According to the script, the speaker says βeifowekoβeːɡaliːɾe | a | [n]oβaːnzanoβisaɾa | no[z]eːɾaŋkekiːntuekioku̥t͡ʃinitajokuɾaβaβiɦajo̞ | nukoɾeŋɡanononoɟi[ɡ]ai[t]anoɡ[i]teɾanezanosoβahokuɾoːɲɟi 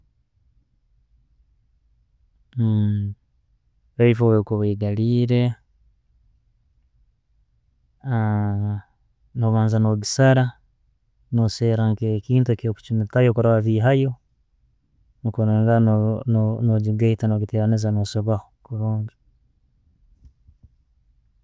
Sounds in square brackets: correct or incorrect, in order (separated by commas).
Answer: correct, incorrect, correct, correct, correct